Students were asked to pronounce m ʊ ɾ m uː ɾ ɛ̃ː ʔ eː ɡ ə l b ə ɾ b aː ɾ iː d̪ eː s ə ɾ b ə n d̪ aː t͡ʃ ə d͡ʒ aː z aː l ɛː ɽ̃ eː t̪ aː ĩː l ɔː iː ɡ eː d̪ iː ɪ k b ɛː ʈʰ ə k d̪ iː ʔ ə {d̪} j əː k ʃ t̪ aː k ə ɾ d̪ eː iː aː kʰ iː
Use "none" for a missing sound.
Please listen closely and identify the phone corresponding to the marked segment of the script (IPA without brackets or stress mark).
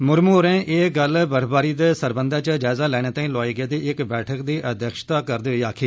d̪